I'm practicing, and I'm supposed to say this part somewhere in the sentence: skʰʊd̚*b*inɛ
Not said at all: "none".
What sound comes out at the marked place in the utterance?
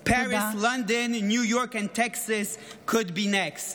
b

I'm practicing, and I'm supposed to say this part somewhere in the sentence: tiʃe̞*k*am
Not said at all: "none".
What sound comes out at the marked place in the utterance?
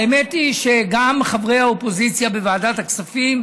ɡ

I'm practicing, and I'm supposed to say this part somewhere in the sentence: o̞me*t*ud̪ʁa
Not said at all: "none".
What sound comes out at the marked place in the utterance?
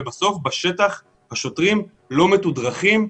t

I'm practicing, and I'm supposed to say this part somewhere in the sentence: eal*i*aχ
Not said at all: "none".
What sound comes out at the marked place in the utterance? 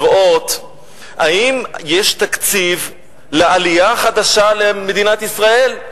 i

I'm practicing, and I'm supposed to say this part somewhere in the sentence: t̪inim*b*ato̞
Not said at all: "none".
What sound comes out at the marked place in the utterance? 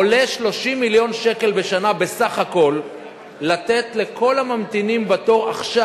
b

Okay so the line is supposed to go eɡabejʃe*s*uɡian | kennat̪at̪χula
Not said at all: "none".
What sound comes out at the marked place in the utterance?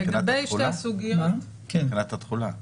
s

